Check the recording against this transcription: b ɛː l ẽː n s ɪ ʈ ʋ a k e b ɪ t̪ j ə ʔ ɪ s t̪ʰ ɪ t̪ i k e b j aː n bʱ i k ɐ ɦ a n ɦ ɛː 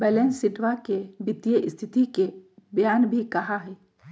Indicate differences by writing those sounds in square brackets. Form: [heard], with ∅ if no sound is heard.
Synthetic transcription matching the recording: b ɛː l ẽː n s ɪ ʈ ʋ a k e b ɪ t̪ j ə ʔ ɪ s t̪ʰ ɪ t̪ i k e b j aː n bʱ i k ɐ ɦ a [∅] ɦ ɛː